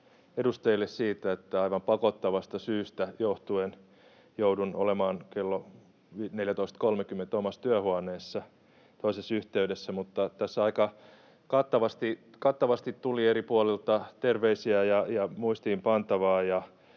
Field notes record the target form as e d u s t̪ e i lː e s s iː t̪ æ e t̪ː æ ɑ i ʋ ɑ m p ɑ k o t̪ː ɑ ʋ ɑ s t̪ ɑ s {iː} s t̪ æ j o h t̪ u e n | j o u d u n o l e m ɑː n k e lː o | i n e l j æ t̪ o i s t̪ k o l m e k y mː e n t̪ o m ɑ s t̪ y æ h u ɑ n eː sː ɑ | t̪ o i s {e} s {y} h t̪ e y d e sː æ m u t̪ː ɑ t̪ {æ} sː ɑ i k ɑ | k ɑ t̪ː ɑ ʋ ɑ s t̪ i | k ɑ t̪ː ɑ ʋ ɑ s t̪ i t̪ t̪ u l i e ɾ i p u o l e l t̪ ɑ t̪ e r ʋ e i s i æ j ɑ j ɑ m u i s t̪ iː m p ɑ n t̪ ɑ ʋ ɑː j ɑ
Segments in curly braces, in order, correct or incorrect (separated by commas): incorrect, correct, correct, correct